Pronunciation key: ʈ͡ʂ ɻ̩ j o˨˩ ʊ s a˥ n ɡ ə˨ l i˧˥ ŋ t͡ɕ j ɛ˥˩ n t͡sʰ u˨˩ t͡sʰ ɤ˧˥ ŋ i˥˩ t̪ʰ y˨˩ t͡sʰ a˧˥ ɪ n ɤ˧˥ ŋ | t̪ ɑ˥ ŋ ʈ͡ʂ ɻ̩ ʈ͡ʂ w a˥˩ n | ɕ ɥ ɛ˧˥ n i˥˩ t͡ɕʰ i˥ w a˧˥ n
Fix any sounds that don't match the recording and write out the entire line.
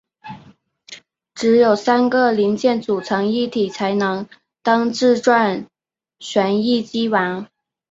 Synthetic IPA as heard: ʈ͡ʂ ɻ̩ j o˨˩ ʊ s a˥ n ɡ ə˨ l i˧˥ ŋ t͡ɕ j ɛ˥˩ n t͡s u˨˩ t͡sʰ ɤ˧˥ ŋ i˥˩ t̪ʰ i˨˩ t͡sʰ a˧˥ ɪ n ɤ˧˥ ŋ | t̪ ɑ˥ ŋ ʈ͡ʂ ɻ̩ ʈ͡ʂ w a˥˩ n | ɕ ɥ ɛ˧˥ n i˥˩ t͡ɕ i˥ w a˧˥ n